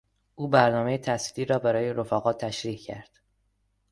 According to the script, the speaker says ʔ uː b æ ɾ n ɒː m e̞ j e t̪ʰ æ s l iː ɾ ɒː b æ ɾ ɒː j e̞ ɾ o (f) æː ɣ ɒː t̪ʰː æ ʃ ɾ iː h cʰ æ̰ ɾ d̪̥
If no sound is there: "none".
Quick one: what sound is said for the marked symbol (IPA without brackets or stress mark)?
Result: f